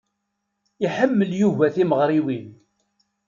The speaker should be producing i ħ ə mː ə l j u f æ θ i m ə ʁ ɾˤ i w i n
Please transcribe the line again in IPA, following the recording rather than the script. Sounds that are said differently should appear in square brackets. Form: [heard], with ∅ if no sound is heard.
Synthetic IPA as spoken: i ħ ə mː ə l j u [v] æ θ i m ə ʁ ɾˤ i w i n